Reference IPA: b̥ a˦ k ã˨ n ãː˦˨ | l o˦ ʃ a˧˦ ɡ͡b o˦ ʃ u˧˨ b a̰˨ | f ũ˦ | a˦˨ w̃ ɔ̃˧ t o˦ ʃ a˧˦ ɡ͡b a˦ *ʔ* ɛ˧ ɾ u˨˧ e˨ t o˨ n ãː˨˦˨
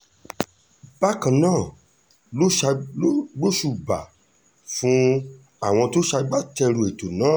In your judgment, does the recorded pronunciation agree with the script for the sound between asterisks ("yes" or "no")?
no